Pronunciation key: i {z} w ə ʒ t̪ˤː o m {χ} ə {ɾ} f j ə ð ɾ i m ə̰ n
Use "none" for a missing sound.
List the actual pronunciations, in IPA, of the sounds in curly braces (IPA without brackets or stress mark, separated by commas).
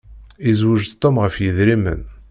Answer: z, ʁ, none